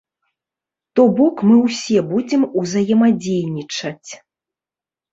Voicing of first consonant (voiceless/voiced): voiceless